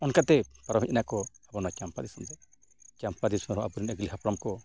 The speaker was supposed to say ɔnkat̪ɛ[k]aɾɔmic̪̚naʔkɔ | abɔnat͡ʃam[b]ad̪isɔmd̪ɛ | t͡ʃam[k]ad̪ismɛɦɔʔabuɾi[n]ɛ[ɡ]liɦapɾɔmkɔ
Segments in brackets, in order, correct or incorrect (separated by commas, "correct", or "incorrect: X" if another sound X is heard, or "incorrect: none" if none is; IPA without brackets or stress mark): incorrect: p, incorrect: p, incorrect: p, correct, correct